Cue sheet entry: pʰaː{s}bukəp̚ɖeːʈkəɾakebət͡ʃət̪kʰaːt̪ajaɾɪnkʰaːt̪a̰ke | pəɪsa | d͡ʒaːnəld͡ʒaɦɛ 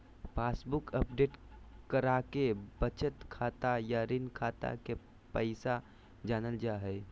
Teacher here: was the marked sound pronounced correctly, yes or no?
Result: yes